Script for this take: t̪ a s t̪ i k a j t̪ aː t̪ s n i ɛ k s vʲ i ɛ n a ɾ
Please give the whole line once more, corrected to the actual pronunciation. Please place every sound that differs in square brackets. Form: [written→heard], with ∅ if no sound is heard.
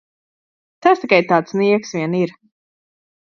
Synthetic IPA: t̪ a s t̪ i k a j t̪ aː t̪ s n i ɛ k s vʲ i ɛ n [a→i] ɾ